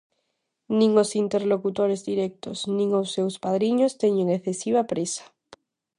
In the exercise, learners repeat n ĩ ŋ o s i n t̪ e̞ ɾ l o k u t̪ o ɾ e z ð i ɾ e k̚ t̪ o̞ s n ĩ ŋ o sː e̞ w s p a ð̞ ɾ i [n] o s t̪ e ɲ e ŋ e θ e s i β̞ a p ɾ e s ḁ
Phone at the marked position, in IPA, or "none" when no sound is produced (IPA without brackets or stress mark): ɲ